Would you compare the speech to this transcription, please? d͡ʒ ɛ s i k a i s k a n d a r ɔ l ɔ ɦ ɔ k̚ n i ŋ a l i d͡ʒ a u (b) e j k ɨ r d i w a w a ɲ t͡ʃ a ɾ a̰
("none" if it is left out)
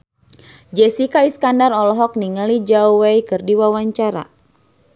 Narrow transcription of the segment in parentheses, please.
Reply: w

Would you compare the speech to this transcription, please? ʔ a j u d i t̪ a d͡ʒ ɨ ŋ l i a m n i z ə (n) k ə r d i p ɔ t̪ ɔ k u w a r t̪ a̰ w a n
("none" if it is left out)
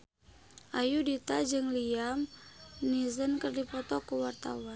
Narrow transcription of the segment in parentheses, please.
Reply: n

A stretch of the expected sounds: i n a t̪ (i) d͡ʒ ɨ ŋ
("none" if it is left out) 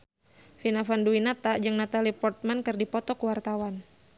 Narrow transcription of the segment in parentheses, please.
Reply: a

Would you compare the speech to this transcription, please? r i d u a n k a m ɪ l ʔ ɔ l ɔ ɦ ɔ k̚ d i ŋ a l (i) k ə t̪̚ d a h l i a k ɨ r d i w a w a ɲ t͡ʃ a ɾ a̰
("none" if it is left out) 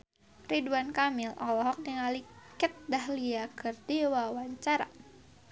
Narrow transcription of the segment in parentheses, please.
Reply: i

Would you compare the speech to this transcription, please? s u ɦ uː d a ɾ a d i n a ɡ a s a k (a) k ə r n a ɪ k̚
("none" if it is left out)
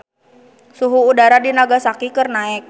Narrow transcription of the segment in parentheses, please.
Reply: i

